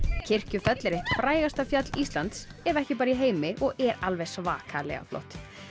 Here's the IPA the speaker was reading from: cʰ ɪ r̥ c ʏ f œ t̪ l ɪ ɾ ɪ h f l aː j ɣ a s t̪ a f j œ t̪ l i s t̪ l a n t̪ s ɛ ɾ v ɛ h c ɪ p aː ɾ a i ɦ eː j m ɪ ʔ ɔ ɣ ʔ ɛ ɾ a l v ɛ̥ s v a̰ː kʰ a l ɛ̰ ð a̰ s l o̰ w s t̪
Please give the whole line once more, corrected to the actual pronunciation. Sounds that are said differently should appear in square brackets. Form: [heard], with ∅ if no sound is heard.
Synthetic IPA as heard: cʰ ɪ r̥ c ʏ f œ t̪ l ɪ ɾ ɪ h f [ɾ] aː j ɣ a s t̪ a f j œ t̪ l i s t̪ l a n t̪ s ɛ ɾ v ɛ h c ɪ p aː ɾ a i ɦ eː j m ɪ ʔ ɔ ɣ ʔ ɛ ɾ a l v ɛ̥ s v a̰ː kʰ a l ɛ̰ [ɣ] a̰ [f] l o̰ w [h] t̪